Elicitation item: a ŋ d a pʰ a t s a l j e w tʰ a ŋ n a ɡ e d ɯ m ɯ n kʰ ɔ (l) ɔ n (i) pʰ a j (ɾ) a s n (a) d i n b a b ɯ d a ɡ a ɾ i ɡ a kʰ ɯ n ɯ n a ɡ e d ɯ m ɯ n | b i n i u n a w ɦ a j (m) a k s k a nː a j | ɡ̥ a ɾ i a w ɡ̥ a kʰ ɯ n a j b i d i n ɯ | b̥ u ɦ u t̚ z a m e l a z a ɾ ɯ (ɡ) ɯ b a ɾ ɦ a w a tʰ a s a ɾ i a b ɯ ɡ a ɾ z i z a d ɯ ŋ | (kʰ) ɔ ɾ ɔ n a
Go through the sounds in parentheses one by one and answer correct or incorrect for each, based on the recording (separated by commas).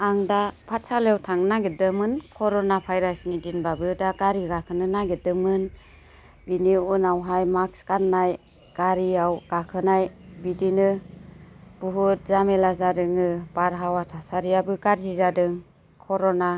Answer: incorrect, incorrect, correct, incorrect, correct, incorrect, correct